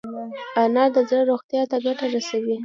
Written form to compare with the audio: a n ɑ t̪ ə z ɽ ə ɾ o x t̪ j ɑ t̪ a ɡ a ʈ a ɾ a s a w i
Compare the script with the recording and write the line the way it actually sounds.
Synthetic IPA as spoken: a n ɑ d̪ ə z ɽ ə ɾ o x t̪ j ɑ t̪ a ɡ a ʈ a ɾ a s a w i